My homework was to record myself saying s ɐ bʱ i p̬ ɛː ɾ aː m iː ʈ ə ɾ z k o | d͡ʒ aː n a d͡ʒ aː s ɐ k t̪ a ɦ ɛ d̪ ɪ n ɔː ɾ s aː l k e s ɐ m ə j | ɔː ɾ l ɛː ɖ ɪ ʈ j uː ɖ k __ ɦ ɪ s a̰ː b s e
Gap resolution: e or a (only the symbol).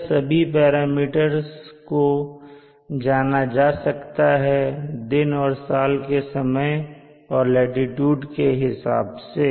e